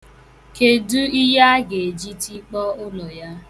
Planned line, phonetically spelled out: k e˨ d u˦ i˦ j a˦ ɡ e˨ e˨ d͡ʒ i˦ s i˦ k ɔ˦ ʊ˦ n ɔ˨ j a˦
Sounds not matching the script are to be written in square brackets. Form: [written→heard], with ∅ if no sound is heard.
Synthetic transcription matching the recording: k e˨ d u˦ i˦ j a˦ ɡ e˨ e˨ d͡ʒ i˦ [s→t] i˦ [k→k͡p] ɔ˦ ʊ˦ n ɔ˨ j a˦

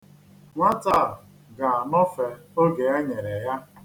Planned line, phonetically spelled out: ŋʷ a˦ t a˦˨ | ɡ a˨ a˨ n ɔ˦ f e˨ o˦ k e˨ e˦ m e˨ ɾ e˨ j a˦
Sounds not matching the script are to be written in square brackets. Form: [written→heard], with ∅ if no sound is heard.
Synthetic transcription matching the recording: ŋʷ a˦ t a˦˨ | ɡ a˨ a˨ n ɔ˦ f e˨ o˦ [k→ɡ] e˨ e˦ [m→ɲ] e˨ ɾ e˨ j a˦

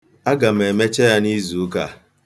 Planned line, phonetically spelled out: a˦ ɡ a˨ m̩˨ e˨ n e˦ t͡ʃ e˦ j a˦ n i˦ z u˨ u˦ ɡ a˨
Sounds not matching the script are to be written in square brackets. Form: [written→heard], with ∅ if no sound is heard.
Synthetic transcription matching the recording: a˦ ɡ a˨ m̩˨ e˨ [n→m] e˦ t͡ʃ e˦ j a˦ n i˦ z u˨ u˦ [ɡ→k] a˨

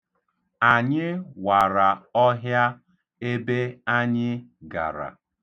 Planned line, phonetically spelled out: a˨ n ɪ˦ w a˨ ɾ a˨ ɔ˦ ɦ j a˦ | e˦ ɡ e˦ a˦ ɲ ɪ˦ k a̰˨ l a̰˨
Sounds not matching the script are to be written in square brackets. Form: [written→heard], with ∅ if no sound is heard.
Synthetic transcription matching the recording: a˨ [n→ɲ] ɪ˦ w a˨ ɾ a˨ ɔ˦ ɦ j a˦ | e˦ [ɡ→b] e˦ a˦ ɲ ɪ˦ [k→ɡ] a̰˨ [l→ɾ] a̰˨

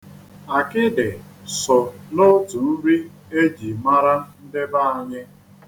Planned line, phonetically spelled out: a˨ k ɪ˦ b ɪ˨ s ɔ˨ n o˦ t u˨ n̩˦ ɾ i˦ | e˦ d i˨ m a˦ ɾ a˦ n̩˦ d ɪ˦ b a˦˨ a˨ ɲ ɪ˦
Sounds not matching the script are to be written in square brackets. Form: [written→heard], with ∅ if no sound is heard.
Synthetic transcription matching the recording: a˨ k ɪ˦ [b→d] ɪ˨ s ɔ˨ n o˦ t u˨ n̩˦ ɾ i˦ | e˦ [d→d͡ʒ] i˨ m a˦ ɾ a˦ n̩˦ d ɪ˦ b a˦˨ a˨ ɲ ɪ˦

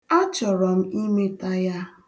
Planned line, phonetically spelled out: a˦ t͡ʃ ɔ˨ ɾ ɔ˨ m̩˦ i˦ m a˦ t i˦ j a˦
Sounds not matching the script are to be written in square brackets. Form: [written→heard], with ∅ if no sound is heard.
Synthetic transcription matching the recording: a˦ t͡ʃ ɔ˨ ɾ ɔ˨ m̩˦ i˦ m [a˦→e˦] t [i˦→a˦] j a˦

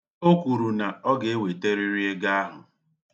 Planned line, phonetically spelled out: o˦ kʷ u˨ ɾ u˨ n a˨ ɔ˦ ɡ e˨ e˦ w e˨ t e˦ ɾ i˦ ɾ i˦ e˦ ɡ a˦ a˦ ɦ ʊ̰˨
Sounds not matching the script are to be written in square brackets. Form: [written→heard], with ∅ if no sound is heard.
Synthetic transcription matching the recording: o˦ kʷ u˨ ɾ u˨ n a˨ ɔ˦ ɡ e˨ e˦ w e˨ t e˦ ɾ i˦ ɾ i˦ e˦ ɡ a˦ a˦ ɦ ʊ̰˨

